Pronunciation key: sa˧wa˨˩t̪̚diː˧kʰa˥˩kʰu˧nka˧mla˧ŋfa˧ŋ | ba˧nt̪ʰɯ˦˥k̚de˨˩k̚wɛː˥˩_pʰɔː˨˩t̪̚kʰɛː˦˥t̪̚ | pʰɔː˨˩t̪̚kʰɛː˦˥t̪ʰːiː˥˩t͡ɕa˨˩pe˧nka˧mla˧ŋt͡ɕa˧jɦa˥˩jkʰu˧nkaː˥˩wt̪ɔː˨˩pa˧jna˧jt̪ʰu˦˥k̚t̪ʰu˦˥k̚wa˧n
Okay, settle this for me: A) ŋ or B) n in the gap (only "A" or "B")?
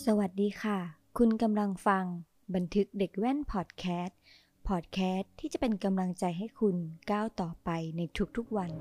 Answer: B